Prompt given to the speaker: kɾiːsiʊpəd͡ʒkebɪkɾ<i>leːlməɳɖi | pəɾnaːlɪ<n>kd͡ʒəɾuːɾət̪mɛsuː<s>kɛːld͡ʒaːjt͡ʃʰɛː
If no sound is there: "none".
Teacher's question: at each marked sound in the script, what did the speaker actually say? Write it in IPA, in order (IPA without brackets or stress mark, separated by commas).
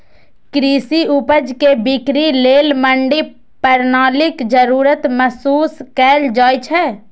i, none, s